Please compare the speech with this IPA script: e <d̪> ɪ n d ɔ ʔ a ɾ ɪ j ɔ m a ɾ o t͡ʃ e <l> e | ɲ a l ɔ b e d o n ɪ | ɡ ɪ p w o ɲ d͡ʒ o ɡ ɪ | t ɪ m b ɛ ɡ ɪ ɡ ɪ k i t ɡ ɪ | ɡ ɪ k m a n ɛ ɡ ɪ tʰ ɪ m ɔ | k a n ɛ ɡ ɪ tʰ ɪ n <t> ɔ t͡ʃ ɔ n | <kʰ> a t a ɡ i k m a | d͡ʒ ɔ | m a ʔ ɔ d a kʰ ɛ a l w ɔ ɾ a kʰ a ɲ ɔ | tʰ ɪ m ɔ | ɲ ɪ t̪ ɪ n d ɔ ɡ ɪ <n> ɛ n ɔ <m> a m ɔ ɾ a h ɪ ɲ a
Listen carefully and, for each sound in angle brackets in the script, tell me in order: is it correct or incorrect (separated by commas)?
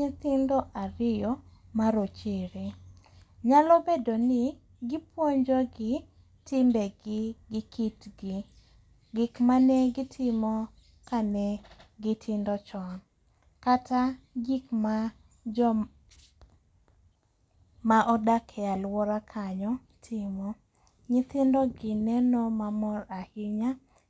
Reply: incorrect, incorrect, incorrect, incorrect, correct, correct